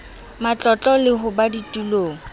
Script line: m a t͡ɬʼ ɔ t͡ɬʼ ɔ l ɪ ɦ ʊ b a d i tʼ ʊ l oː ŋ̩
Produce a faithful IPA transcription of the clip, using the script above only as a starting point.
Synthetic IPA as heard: m a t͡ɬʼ ɔ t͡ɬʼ ɔ l ɪ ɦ ʊ b a d i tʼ u l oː ŋ̩